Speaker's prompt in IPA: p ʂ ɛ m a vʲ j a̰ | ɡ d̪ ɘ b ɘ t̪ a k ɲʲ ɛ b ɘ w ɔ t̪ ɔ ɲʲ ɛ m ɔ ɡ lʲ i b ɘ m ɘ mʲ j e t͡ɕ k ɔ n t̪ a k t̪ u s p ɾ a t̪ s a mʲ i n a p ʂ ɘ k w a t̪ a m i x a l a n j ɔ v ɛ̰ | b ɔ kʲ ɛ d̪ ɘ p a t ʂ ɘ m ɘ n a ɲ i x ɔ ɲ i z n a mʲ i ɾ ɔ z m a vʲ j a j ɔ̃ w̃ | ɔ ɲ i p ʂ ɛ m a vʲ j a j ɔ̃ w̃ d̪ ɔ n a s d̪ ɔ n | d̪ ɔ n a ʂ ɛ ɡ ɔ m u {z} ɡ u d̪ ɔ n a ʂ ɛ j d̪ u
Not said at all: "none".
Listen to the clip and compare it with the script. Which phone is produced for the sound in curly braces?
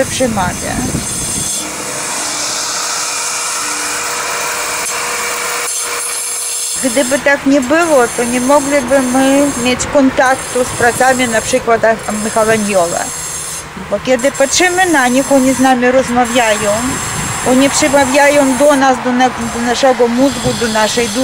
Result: z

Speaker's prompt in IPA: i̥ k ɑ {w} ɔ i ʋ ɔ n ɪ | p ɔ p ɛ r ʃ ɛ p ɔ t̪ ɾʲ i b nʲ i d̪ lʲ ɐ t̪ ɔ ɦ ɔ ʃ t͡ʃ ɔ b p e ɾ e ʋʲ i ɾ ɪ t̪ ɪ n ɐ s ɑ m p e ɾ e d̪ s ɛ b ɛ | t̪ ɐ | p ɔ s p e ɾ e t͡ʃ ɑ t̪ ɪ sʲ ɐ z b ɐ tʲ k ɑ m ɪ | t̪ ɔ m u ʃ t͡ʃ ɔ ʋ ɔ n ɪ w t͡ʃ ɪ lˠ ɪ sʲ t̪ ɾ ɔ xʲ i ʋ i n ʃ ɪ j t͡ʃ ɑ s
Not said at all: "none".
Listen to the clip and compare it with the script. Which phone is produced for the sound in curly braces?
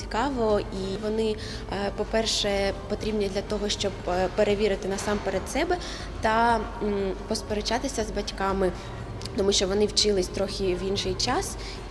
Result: ʋ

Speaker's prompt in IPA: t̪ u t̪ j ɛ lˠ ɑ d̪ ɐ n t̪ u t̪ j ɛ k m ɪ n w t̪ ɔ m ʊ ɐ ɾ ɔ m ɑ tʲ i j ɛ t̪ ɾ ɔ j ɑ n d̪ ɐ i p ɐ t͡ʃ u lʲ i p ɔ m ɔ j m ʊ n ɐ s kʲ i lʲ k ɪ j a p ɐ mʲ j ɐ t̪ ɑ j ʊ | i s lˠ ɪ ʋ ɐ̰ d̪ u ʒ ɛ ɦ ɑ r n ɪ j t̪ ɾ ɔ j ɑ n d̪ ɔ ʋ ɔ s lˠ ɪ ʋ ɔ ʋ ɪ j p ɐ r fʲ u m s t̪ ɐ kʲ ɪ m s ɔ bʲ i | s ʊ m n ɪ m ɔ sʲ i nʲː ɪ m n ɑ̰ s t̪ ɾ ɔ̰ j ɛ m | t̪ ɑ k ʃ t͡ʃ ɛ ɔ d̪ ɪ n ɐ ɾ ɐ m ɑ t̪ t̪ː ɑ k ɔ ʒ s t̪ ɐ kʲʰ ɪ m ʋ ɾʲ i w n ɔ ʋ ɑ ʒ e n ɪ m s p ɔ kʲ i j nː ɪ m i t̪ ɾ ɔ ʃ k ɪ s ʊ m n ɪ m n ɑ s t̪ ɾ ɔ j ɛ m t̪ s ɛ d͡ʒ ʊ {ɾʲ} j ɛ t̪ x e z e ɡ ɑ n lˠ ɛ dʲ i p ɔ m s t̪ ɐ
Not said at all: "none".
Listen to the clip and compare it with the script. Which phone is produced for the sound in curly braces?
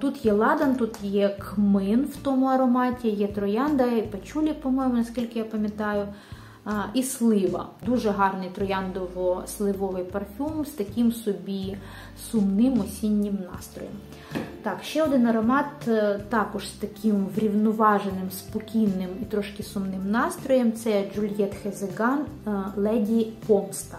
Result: lʲ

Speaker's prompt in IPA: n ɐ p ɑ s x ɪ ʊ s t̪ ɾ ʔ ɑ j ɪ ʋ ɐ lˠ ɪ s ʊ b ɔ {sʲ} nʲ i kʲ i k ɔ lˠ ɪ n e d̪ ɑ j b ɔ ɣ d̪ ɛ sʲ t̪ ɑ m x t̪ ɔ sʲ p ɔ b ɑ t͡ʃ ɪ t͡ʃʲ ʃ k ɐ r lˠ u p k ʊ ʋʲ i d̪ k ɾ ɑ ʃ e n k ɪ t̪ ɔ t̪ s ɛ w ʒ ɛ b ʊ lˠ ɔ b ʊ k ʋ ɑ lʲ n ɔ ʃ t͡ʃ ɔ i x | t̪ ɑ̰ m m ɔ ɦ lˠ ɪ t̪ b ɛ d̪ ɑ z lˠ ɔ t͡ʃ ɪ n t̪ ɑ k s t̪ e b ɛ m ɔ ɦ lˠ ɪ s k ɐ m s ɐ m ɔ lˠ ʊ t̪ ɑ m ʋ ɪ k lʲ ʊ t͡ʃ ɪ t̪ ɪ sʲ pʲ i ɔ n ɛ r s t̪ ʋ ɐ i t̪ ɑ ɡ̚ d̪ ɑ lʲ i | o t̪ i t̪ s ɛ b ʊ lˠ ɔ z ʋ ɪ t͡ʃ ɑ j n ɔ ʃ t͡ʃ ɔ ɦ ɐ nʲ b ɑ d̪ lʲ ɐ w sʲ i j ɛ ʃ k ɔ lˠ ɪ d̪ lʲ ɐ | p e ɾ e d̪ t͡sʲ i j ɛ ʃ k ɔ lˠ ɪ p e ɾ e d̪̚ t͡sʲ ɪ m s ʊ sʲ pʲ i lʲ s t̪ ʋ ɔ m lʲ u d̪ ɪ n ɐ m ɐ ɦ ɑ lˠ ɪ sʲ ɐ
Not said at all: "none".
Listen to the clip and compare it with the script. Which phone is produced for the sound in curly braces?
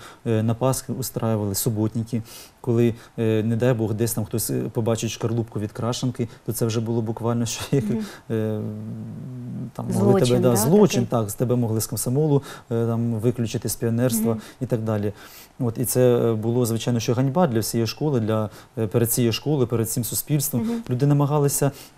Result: tʲ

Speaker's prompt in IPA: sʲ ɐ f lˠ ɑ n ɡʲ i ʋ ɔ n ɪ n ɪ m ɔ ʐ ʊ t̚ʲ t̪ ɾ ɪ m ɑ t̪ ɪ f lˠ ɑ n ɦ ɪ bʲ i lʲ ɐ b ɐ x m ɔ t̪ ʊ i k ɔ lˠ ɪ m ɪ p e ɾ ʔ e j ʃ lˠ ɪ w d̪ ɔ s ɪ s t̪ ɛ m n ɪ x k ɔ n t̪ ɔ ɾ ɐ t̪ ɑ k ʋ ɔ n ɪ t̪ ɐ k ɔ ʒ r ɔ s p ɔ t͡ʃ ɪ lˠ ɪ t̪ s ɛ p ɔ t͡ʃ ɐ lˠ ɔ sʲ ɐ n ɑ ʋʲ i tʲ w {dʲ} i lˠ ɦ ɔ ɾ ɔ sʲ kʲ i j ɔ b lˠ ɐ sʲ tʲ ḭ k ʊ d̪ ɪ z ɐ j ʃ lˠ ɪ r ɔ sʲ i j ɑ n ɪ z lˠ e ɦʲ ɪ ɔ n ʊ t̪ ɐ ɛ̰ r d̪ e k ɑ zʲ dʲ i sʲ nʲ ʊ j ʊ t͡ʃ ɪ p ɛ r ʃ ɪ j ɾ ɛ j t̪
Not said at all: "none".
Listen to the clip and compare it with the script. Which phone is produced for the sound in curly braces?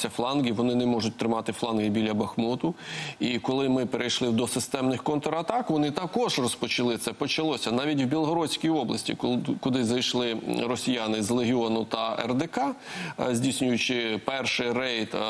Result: bʲ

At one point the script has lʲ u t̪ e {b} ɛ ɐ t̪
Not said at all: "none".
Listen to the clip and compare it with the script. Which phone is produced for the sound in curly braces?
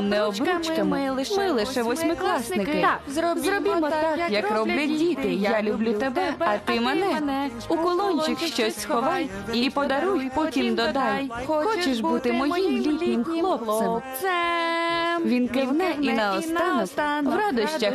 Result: b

